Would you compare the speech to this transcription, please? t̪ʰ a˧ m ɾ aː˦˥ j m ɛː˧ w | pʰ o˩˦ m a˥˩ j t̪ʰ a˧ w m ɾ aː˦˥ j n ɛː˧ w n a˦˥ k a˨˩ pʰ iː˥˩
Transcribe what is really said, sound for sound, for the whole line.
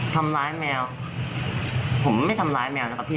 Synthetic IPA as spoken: t̪ʰ a˧ m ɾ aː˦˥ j m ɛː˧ w | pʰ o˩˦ m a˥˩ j t̪ʰ a˧ m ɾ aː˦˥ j m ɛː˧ w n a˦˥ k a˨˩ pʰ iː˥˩

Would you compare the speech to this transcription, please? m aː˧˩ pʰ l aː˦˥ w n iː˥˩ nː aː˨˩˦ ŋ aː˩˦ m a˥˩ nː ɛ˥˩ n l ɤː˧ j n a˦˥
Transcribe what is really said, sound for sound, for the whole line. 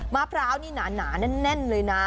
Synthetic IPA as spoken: m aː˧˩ pʰ ɾ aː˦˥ w n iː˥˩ n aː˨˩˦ n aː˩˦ n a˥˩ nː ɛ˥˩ n l ɤː˧ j n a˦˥

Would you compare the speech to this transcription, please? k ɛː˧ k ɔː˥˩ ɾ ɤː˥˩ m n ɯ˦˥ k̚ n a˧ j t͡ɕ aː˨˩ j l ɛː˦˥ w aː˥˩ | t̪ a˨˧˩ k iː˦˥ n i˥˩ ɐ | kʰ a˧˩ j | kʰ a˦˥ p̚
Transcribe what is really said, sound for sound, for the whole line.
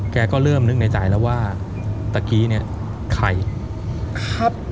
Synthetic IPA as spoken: k ɛː˧ k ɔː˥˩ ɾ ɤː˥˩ m n ɯ˦˥ k̚ n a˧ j t͡ɕ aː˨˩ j l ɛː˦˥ w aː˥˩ | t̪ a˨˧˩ k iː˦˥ n i˥˩ ɐ | kʰ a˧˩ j | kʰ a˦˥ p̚

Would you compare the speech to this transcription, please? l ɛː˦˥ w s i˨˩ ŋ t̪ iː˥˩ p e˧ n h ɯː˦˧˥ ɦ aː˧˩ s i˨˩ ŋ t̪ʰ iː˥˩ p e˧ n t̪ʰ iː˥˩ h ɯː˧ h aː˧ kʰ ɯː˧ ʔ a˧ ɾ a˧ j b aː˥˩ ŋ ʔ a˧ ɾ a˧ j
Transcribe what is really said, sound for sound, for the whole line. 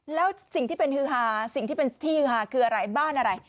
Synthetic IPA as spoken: l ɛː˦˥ w s i˨˩ ŋ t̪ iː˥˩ p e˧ n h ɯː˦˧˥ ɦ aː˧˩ s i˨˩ ŋ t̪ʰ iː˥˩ p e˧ n t̪ʰ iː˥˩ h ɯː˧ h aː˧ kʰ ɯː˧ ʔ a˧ ɾ a˧ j b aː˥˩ n ʔ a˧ ɾ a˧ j

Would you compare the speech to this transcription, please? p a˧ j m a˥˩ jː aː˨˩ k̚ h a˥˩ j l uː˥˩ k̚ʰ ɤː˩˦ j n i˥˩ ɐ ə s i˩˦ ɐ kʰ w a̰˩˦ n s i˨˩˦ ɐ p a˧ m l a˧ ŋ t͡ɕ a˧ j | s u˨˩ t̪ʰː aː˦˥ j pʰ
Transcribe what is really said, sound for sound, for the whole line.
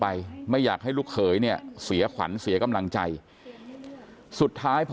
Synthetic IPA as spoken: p a˧ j m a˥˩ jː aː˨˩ k̚ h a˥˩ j l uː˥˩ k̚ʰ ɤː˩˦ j n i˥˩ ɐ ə s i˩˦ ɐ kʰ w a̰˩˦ n s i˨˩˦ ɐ k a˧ m l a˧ ŋ t͡ɕ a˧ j | s u˨˩ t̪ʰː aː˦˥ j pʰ

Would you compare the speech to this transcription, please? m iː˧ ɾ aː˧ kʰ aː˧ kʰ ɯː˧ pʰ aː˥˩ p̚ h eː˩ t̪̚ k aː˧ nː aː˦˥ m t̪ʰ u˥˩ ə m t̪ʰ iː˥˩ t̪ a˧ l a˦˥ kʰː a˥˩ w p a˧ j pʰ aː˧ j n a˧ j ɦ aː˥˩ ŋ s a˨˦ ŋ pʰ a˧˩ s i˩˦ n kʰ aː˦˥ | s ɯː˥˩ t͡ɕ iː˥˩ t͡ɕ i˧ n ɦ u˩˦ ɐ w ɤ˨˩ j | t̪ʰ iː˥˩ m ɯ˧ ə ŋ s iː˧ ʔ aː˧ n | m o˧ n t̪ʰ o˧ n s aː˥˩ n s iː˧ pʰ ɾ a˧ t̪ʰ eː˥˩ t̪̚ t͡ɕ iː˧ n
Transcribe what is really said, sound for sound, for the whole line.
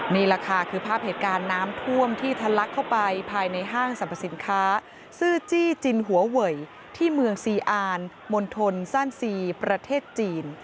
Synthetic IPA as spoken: m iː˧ ɾ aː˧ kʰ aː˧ kʰ ɯː˧ pʰ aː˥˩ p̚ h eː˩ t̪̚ k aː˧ nː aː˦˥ m t̪ʰ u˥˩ ə m t̪ʰ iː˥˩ t̪ʰ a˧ l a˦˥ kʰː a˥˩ w p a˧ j pʰ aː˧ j n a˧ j ɦ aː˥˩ ŋ s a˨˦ m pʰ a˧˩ s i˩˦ n kʰ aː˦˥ | s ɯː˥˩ t͡ɕ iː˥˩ t͡ɕ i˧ n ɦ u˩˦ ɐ w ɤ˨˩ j | t̪ʰ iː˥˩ m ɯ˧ ə ŋ s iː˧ ʔ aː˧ n | m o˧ n t̪ʰ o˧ n s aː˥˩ n s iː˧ p ɾ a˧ t̪ʰ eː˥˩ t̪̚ t͡ɕ iː˧ n

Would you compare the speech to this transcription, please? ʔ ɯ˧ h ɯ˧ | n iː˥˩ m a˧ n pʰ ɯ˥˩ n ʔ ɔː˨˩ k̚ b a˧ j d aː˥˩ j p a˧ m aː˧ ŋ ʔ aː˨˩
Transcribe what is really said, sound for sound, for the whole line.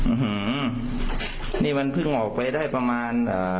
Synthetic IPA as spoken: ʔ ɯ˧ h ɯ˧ | n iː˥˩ m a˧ n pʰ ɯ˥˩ ŋ ʔ ɔː˨˩ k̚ p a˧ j d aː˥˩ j p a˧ m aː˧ n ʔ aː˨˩

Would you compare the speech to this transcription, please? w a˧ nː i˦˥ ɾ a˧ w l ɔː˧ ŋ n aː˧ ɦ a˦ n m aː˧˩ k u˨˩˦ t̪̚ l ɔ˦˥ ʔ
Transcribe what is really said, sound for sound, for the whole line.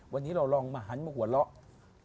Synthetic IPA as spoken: w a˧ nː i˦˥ ɾ a˧ w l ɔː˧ ŋ m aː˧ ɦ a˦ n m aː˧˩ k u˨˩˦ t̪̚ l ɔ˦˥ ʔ

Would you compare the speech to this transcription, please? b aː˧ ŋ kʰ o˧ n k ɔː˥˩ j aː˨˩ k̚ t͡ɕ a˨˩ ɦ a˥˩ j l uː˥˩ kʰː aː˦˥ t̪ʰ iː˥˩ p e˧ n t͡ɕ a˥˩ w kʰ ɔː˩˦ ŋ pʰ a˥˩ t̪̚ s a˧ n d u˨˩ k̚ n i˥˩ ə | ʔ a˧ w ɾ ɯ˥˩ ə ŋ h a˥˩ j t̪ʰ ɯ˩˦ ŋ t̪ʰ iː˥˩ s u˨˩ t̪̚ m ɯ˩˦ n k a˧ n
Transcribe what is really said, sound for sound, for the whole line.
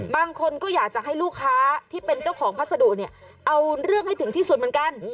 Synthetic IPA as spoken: b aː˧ ŋ kʰ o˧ n k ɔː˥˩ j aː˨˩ k̚ t͡ɕ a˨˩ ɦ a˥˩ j l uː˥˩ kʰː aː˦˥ t̪ʰ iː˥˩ p e˧ n t͡ɕ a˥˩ w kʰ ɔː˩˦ ŋ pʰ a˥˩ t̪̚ s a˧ d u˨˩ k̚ n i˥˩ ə | ʔ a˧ w ɾ ɯ˥˩ ə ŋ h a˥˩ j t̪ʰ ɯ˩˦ ŋ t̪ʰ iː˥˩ s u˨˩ t̪̚ m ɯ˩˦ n k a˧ n

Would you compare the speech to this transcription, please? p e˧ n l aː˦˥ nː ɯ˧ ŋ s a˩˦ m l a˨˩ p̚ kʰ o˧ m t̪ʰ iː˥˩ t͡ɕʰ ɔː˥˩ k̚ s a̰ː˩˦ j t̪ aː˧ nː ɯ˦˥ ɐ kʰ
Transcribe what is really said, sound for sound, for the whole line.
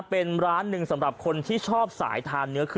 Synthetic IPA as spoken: p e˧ n ɾ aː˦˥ nː ɯ˧ ŋ s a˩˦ m ɾ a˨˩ p̚ kʰ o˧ n t̪ʰ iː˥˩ t͡ɕʰ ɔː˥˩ p̚ s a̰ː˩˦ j t̪ʰ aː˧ nː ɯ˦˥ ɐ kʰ

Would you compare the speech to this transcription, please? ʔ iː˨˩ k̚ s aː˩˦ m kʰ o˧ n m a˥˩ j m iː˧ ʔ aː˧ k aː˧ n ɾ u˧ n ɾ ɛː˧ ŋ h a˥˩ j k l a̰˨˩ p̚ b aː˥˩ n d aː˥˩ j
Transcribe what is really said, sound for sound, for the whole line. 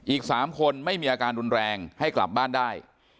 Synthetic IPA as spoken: ʔ iː˨˩ k̚ s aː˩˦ m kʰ o˧ n m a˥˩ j m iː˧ ʔ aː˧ k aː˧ n ɾ u˧ n ɾ ɛː˧ ŋ h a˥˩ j k l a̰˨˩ p̚ b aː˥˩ n d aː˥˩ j

